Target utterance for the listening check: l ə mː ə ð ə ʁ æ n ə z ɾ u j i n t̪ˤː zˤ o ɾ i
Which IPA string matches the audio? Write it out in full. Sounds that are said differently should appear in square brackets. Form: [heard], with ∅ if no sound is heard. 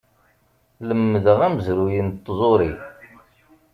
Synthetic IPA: l ə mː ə ð ə ʁ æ [m] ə z ɾ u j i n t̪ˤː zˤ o ɾ i